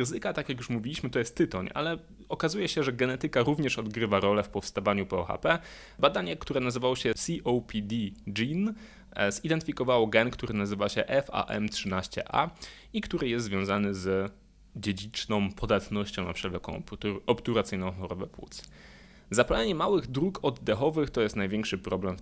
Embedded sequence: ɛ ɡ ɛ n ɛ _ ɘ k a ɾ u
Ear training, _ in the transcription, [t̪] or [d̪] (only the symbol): t̪